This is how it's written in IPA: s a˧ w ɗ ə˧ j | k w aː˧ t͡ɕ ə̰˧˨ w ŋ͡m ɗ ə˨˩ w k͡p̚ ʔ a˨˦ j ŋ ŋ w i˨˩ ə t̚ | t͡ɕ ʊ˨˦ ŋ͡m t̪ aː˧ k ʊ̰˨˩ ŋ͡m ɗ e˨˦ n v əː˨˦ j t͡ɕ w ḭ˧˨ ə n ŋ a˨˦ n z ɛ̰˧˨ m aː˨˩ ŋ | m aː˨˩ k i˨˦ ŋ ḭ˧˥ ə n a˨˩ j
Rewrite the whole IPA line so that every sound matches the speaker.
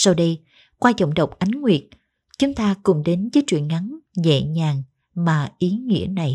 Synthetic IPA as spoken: s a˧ w ɗ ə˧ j | k w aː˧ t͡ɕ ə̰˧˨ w ŋ͡m ɗ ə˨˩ w k͡p̚ ʔ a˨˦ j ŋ ŋ w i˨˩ ə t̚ | t͡ɕ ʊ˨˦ ŋ͡m t̪ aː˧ k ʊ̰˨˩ ŋ͡m ɗ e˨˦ n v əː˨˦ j t͡ɕ w ḭ˧˨ ə n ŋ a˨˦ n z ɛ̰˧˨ ɲ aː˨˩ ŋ | m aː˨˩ ʔ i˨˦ ŋ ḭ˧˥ ə n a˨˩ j